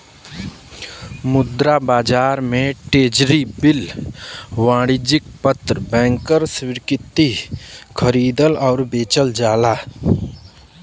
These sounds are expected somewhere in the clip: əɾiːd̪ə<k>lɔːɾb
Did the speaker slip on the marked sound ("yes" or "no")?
yes